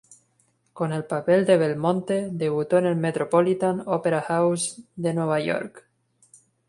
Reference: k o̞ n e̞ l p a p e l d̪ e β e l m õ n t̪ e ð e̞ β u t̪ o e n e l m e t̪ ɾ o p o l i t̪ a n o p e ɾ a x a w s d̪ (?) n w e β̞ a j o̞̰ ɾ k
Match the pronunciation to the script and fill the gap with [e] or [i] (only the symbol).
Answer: e